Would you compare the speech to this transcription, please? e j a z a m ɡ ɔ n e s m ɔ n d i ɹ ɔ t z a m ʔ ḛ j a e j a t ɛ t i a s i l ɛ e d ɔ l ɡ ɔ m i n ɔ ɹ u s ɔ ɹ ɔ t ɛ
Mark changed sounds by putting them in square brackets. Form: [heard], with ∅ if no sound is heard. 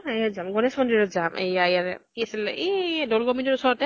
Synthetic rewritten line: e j a z a m ɡ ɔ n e s m ɔ n d i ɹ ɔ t z a m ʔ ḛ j a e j a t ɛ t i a s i l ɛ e d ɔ l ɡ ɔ m i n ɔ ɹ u s ɔ ɹ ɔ t ɛ